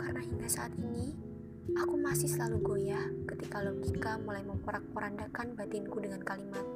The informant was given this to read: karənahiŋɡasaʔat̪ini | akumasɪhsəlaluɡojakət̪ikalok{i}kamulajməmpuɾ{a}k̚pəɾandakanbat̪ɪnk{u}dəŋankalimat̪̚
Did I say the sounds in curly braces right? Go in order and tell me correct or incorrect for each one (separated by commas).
correct, correct, correct